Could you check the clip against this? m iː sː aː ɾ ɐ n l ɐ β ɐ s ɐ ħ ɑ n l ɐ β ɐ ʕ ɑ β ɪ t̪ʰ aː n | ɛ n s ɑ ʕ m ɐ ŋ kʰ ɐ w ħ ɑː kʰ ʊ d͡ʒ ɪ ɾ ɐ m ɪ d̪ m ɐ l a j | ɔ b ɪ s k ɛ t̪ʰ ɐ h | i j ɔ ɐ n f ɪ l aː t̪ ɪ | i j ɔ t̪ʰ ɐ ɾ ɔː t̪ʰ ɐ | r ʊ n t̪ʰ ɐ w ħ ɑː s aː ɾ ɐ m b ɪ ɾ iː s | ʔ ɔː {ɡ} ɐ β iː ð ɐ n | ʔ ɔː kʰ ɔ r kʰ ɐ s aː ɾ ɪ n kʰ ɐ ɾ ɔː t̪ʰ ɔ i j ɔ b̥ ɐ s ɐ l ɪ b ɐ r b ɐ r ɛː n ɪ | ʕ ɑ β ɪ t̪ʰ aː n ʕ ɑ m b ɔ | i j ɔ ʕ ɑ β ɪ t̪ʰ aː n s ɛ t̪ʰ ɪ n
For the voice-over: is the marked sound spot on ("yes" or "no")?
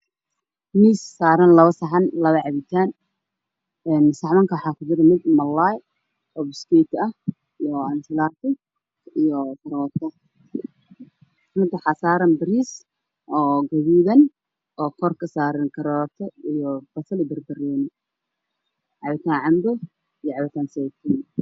yes